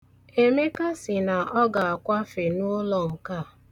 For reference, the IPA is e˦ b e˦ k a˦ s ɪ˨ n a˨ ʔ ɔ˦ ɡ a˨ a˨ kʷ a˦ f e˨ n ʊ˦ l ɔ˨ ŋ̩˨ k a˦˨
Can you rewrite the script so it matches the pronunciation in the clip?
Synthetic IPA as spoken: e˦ m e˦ k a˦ s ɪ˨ n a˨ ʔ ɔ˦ ɡ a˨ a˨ kʷ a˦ f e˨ n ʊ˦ l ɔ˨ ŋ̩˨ k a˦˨